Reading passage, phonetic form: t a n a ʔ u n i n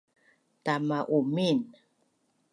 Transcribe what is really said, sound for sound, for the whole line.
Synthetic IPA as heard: t a m a ʔ u m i n